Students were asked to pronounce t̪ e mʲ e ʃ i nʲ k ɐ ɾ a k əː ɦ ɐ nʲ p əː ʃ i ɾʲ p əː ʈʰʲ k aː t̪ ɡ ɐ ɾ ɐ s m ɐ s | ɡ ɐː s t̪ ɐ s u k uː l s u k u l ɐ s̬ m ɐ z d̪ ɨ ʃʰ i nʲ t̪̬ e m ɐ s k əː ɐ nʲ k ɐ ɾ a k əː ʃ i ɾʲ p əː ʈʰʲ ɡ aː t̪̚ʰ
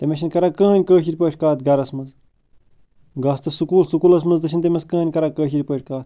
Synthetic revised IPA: t̪ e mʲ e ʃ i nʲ k ɐ ɾ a k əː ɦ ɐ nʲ k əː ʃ i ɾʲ p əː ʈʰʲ k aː t̪ ɡ ɐ ɾ ɐ s m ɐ z | ɡ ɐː s t̪ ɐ s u k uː l s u k u l ɐ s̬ m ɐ z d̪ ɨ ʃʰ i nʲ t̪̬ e m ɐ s k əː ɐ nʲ k ɐ ɾ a k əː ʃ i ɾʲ p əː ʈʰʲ k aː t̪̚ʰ